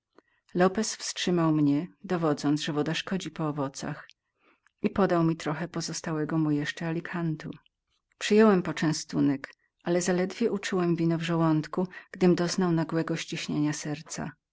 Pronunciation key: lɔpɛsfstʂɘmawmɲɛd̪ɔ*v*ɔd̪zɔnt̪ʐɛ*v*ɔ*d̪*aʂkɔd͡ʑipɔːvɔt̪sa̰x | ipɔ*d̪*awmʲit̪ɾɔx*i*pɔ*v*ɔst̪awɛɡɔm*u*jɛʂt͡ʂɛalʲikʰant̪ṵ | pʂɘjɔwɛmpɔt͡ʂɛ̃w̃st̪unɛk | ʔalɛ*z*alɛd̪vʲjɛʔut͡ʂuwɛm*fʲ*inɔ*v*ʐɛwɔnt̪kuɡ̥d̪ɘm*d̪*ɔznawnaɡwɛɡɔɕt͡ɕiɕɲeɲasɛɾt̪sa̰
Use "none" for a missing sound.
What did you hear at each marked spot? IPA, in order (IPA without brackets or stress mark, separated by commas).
v, v, d̪, d̪, ɛ, z, u, z, vʲ, v, d̪